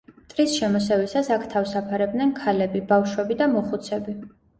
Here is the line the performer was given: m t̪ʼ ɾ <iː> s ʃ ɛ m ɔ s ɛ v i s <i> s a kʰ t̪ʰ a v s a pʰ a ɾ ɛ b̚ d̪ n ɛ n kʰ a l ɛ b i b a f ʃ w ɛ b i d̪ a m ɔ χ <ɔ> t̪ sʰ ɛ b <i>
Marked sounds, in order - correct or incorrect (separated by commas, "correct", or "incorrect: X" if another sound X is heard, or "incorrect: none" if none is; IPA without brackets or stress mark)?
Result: incorrect: i, incorrect: a, incorrect: u, correct